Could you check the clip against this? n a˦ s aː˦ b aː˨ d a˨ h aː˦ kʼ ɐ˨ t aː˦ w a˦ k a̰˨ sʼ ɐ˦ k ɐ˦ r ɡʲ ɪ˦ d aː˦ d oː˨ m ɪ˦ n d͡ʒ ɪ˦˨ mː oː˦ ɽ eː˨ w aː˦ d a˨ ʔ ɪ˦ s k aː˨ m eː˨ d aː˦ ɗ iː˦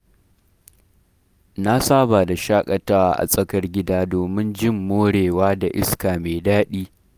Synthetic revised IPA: n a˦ s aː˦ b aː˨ d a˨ ʃ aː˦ kʼ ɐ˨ t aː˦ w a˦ ʔ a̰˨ sʼ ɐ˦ k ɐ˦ r ɡʲ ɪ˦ d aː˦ d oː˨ m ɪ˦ n d͡ʒ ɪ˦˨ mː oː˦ ɽ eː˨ w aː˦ d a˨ ʔ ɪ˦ s k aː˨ m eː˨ d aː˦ ɗ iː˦